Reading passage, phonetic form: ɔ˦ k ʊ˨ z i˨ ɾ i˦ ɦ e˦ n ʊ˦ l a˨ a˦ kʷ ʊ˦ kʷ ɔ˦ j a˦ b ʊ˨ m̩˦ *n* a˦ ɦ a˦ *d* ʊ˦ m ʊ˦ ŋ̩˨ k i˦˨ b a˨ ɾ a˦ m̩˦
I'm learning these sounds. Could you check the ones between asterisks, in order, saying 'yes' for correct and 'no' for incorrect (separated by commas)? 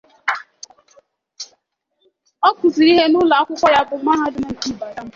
no, yes